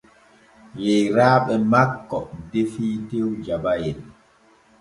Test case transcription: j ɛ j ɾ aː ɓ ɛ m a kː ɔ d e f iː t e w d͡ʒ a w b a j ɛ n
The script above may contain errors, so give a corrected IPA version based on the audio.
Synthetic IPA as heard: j ɛ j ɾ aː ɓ ɛ m a kː ɔ d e f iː t e w d͡ʒ a b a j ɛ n